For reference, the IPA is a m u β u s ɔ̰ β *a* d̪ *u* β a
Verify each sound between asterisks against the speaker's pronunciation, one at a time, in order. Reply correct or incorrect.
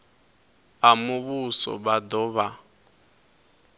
correct, incorrect: ɔ

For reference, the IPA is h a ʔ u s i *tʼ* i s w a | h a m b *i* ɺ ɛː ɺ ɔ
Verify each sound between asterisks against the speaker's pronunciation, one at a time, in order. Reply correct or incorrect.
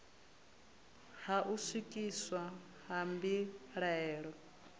incorrect: kʼ, correct

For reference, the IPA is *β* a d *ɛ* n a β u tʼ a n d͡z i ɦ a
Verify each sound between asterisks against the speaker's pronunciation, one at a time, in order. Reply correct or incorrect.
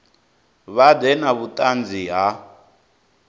correct, correct

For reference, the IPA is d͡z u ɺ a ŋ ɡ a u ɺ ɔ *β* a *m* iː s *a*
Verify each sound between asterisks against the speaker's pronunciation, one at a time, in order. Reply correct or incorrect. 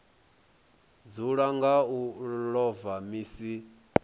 incorrect: v, correct, incorrect: i

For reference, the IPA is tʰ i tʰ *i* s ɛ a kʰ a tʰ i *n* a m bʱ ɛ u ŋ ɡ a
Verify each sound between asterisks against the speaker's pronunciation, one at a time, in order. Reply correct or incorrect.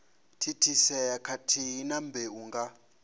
correct, correct

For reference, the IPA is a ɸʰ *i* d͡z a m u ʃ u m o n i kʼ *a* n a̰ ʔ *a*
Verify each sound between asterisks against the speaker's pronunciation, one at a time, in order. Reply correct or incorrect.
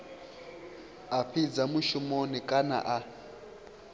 correct, correct, correct

